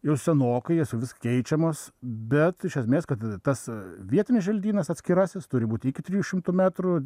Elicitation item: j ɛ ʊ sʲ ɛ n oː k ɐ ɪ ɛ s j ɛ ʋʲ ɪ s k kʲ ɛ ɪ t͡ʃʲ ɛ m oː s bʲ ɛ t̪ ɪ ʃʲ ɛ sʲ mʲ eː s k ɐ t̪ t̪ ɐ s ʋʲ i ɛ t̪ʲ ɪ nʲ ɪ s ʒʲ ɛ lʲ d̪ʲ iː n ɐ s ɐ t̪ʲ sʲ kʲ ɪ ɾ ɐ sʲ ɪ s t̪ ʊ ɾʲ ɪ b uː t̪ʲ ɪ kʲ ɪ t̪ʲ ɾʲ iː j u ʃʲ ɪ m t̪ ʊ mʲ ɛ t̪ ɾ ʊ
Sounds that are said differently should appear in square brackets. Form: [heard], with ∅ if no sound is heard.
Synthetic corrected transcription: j ɛ ʊ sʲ ɛ n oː k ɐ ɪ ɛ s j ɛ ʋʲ ɪ s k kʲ ɛ ɪ t͡ʃʲ ɛ m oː s bʲ ɛ t̪ ɪ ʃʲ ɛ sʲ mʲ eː s k ɐ t̪ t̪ ɐ s ʋʲ i ɛ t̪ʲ ɪ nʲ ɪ s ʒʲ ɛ lʲ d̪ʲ iː n ɐ s ɐ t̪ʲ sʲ kʲ ɪ ɾ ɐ sʲ ɪ s t̪ ʊ ɾʲ ɪ b uː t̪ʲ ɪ kʲ ɪ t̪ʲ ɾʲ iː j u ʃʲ ɪ m t̪ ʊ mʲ [æ] t̪ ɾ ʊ